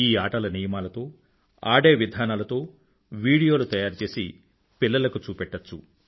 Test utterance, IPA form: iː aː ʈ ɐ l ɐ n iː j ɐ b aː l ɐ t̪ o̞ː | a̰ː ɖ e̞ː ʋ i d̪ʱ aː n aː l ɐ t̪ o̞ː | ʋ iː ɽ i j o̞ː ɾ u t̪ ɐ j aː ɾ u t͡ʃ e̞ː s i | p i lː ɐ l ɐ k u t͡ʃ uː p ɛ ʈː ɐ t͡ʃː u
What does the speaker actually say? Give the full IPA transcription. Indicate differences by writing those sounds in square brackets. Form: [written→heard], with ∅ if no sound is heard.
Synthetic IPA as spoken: iː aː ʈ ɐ l ɐ n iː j ɐ [b→m] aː l ɐ t̪ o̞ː | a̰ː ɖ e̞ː ʋ i d̪ʱ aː n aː l ɐ t̪ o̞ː | ʋ iː ɽ i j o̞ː [ɾ→l] u t̪ ɐ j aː ɾ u t͡ʃ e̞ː s i | p i lː ɐ l ɐ k u t͡ʃ uː p ɛ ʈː ɐ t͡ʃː u